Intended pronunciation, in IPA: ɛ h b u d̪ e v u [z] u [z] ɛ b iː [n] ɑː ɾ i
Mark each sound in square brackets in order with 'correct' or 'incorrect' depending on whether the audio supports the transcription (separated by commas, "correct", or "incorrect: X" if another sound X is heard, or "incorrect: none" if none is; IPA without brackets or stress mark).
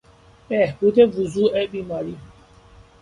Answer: correct, incorrect: none, incorrect: m